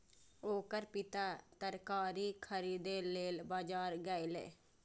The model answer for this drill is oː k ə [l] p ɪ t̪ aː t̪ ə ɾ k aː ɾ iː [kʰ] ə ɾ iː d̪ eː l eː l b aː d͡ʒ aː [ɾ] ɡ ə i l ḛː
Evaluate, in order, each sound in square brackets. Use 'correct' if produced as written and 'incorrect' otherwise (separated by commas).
incorrect, correct, correct